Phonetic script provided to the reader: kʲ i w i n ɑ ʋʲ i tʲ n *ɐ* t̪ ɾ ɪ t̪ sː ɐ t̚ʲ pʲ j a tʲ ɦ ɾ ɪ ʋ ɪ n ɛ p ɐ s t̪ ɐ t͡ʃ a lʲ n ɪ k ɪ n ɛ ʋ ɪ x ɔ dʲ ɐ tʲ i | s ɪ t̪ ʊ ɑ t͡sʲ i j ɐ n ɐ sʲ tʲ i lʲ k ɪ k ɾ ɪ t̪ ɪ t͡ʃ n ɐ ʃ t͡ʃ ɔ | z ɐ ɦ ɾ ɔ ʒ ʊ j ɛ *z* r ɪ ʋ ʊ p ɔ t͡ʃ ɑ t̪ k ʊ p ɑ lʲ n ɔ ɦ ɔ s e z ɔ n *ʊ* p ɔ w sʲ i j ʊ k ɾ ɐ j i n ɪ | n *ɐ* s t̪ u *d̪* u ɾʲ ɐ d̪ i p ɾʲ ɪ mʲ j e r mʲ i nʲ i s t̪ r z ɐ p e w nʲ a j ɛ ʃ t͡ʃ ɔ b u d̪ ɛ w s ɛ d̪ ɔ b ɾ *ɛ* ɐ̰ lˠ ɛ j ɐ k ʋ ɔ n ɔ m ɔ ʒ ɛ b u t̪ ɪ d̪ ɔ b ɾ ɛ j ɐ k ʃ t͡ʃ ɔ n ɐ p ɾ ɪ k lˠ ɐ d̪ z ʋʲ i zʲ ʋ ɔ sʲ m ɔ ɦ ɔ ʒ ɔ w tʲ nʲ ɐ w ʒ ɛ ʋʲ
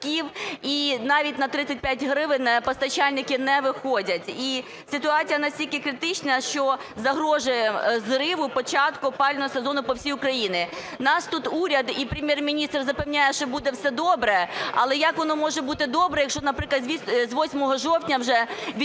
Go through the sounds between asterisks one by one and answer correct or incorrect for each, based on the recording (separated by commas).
correct, correct, correct, incorrect, incorrect, correct